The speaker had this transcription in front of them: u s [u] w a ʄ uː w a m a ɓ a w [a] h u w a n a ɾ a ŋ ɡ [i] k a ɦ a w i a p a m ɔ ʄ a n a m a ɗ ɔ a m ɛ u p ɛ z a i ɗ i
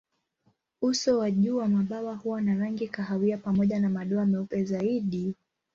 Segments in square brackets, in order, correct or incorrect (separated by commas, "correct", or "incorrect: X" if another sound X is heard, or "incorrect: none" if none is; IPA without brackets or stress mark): incorrect: ɔ, correct, correct